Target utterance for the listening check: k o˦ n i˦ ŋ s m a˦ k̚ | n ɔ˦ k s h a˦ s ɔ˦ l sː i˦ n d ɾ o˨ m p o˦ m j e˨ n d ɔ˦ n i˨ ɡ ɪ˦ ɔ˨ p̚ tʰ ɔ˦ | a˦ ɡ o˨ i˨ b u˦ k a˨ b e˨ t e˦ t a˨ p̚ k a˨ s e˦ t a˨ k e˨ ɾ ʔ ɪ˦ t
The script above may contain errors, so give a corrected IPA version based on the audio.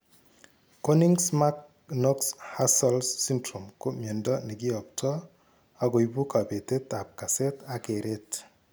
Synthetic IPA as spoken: k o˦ n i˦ ŋ s m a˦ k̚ | n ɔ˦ k s h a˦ s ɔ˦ l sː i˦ n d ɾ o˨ m k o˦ m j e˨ n d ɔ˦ n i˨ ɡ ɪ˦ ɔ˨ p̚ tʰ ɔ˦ | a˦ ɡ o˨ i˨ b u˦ k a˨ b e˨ t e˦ t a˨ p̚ k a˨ s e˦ t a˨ k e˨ ɾ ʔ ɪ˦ t